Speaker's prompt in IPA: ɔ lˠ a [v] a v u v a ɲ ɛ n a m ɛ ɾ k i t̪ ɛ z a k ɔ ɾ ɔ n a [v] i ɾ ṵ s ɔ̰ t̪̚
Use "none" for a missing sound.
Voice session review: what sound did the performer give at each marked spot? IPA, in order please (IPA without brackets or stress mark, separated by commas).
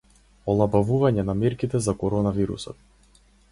b, v